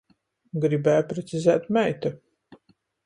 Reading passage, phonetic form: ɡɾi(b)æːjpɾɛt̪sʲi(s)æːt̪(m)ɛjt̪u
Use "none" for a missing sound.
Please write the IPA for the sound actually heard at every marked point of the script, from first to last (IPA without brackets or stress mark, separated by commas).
b, z, m